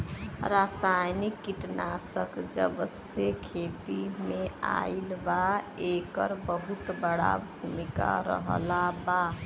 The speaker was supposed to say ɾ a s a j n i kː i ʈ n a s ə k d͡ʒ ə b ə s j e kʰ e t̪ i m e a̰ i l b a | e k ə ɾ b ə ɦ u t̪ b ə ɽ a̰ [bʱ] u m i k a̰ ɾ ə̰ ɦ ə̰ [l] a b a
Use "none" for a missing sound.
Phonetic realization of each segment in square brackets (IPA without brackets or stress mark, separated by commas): bʱ, l